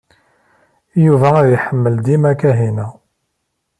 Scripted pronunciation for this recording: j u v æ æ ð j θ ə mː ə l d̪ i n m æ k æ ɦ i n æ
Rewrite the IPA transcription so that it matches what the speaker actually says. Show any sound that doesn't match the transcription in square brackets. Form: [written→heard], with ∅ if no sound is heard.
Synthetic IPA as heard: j u v æ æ ð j [θ→ħ] ə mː ə l d̪ i [n→∅] m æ k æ ɦ i n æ